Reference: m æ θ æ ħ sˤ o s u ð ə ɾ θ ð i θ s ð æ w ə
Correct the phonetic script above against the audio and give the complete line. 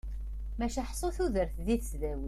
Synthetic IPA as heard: m æ ʃ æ ħ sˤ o θ u ð ə ɾ θ ð i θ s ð æ w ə